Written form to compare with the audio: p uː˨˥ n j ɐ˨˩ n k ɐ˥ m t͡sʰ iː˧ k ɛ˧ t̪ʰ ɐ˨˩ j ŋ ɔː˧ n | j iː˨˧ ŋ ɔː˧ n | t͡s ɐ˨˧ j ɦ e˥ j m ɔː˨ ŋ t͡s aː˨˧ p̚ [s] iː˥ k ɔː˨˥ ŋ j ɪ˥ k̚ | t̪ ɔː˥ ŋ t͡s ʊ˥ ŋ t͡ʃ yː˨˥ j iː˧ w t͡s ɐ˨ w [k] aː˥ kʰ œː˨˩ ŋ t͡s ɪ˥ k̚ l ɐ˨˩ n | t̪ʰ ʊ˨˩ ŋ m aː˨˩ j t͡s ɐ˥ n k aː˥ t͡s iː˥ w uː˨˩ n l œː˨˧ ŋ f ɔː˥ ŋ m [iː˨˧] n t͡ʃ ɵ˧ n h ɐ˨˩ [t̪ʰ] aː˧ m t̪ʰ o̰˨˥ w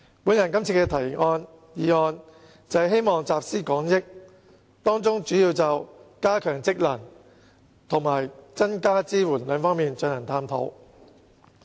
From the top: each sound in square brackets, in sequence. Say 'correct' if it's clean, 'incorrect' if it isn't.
correct, correct, correct, correct

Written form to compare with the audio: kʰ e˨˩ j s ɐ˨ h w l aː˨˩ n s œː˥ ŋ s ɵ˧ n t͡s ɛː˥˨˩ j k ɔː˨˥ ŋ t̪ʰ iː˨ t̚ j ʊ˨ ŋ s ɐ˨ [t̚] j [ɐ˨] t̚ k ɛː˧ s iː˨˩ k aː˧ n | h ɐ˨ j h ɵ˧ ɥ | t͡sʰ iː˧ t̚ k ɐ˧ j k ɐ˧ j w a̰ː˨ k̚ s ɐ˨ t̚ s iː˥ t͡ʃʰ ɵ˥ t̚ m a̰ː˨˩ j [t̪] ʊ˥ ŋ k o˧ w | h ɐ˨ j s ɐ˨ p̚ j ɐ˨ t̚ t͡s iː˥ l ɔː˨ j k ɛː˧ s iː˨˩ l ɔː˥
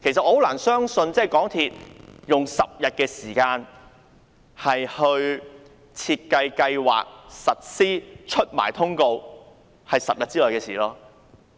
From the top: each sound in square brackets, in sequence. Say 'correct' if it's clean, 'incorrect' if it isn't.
incorrect: p̚, correct, incorrect: t̪ʰ

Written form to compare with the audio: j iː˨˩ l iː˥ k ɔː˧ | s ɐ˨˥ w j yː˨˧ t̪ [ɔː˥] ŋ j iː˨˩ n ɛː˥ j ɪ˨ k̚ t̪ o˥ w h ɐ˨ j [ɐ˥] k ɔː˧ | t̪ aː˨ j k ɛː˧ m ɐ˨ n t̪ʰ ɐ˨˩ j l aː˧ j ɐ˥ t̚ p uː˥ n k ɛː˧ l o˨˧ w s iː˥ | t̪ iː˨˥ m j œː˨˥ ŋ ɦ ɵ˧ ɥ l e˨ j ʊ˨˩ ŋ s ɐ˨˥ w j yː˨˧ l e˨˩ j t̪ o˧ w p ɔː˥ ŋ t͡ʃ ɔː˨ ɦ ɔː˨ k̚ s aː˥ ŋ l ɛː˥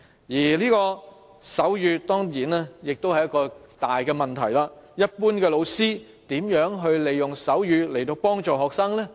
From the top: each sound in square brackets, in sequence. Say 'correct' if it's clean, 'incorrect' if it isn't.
correct, correct

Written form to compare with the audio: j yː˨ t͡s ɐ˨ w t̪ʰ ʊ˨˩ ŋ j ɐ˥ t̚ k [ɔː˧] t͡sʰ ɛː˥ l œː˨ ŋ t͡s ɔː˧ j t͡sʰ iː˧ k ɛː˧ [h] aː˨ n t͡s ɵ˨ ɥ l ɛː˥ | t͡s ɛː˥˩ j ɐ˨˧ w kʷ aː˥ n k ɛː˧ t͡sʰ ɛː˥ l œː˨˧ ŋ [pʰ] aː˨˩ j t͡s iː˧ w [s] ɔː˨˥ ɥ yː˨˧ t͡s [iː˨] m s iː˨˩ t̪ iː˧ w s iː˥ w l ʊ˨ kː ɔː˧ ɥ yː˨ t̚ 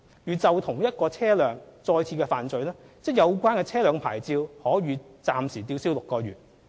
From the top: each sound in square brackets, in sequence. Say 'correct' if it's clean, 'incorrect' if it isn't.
correct, incorrect: f, correct, incorrect: h, incorrect: aː˨

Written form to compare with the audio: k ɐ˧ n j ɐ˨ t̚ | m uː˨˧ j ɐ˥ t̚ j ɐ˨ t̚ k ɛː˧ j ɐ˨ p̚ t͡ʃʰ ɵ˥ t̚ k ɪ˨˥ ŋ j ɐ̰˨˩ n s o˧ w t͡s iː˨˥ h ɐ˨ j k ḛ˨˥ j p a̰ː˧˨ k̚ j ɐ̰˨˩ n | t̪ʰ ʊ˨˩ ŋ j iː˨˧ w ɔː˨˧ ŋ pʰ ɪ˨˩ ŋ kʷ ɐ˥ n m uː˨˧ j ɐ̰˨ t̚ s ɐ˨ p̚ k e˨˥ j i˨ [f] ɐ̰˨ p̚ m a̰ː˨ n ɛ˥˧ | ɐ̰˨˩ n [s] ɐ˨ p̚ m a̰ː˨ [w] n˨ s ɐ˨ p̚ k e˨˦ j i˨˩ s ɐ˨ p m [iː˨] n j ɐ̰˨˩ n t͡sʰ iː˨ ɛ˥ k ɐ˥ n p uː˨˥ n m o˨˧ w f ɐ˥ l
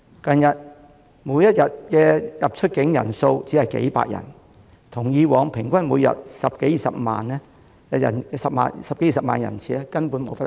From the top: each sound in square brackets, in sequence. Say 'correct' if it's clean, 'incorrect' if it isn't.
incorrect: s, correct, incorrect: none, incorrect: aː˨

